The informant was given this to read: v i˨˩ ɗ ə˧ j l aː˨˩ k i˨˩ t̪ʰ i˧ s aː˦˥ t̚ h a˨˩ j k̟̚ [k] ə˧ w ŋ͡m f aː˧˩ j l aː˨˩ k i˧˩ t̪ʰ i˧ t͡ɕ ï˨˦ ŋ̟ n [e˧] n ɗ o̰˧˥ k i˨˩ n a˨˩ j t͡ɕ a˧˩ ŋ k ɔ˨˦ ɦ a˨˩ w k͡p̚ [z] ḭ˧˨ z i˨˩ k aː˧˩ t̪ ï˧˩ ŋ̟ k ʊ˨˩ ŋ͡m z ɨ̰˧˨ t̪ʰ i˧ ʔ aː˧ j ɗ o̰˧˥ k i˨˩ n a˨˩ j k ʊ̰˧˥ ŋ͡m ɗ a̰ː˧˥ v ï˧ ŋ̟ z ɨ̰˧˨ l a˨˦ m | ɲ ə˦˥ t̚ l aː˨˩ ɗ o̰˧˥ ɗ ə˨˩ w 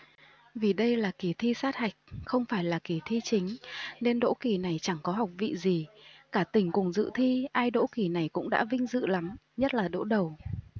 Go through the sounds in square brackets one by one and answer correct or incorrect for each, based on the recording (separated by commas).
incorrect, correct, incorrect